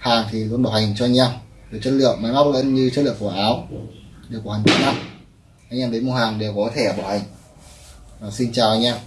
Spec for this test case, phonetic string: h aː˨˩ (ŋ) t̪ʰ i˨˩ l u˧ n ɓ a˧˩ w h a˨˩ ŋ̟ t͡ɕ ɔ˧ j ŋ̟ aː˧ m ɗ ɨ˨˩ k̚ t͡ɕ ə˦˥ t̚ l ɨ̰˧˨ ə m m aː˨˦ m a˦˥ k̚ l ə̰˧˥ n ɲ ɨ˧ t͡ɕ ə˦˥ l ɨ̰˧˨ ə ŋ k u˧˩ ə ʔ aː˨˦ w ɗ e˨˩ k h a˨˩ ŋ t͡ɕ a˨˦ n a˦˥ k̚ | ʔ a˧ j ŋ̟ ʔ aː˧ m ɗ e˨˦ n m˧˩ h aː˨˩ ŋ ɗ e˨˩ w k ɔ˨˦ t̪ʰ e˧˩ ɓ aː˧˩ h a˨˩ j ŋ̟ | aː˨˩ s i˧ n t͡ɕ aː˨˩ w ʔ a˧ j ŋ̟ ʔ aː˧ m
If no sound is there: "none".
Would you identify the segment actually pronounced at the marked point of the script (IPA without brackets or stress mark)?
ŋ